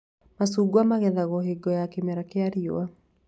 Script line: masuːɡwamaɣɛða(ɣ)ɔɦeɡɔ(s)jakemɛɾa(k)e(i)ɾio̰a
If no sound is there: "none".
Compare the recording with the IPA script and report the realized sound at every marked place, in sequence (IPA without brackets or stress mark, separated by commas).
ɣ, none, k, a